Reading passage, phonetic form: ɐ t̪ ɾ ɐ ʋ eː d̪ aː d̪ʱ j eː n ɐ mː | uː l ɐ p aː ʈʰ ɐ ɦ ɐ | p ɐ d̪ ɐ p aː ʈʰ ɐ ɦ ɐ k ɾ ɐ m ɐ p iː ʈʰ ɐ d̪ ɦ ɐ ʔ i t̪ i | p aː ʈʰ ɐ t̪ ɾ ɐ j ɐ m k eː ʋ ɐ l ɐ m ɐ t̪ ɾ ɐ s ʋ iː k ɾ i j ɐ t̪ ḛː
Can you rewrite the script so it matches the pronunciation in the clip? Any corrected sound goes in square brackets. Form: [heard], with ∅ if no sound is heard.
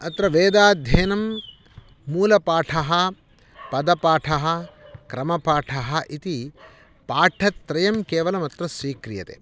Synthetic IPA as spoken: ɐ t̪ ɾ ɐ ʋ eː d̪ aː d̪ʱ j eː n ɐ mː | uː l ɐ p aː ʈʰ ɐ ɦ ɐ | p ɐ d̪ ɐ p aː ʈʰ ɐ ɦ ɐ k ɾ ɐ m ɐ p [aː] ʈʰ ɐ [∅] ɦ ɐ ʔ i t̪ i | p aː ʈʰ ɐ t̪ ɾ ɐ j ɐ m k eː ʋ ɐ l ɐ m ɐ t̪ ɾ ɐ s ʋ iː k ɾ i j ɐ t̪ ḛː

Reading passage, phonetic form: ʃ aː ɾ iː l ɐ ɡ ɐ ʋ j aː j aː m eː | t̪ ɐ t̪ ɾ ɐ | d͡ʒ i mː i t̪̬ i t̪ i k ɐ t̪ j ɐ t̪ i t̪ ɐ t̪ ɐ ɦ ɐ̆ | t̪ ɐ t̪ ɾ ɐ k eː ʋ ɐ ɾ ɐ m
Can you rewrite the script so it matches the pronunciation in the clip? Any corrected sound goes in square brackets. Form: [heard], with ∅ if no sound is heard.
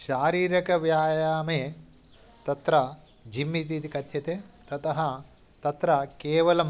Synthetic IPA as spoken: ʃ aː ɾ iː [ɾ] ɐ [k] ɐ ʋ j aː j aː m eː | t̪ ɐ t̪ ɾ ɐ | d͡ʒ i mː i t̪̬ i t̪ i k ɐ t̪ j ɐ t̪ [e] t̪ ɐ t̪ ɐ ɦ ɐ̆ | t̪ ɐ t̪ ɾ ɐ k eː ʋ ɐ [l] ɐ m

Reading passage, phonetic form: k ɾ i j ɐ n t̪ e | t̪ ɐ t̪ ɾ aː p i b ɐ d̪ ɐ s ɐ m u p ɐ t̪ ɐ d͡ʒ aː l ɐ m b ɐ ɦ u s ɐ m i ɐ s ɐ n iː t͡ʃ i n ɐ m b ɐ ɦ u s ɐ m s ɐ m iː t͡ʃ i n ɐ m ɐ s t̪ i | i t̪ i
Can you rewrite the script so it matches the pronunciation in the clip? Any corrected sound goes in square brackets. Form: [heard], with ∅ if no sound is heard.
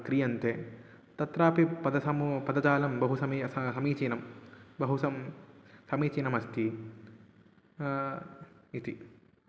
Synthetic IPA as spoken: k ɾ i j ɐ n t̪ e | t̪ ɐ t̪ ɾ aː p i [p] ɐ d̪ ɐ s ɐ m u p ɐ [d̪] ɐ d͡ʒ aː l ɐ m b ɐ ɦ u s ɐ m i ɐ s ɐ [m] iː t͡ʃ i n ɐ m b ɐ ɦ u s ɐ m s ɐ m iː t͡ʃ i n ɐ m ɐ s t̪ i | i t̪ i

